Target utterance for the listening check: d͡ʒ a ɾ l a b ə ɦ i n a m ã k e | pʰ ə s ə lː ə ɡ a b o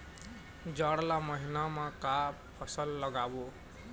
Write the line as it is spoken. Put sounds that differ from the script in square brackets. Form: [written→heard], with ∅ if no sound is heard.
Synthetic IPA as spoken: d͡ʒ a [ɾ→ɽ] l a [b→m] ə ɦ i n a m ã k [e→a] | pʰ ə s ə lː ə ɡ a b o